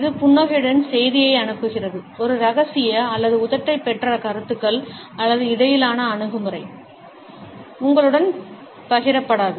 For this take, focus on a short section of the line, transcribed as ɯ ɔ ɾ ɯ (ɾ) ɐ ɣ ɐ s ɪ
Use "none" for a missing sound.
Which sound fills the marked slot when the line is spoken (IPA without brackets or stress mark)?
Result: ɾ